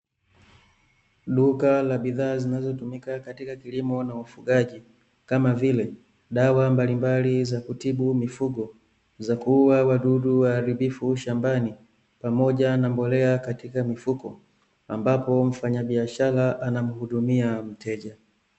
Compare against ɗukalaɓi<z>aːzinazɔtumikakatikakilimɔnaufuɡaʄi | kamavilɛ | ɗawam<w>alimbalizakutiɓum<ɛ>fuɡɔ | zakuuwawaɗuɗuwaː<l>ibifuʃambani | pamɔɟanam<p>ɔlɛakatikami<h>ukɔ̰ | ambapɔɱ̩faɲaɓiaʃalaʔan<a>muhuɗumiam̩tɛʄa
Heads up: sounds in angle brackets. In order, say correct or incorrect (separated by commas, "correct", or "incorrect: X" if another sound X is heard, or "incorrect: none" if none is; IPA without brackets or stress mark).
incorrect: ð, incorrect: b, incorrect: i, incorrect: ɾ, incorrect: b, incorrect: f, correct